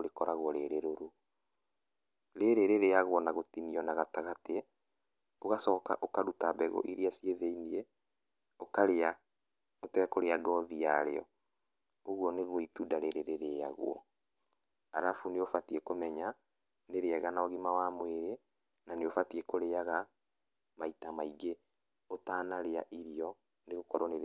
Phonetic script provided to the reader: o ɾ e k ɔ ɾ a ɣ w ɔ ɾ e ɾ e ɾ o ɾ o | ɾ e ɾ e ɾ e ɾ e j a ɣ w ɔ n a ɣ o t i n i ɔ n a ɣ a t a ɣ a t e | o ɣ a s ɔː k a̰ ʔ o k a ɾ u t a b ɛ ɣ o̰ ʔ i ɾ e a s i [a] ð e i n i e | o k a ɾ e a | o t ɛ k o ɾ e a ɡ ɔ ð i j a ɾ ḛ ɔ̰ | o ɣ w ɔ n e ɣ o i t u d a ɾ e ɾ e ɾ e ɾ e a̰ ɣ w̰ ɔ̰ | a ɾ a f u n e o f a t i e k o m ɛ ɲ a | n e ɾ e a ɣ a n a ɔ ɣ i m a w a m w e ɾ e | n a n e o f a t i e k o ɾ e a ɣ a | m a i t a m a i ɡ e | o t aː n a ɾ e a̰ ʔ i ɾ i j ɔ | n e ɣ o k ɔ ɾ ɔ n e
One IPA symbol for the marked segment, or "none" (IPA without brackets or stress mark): e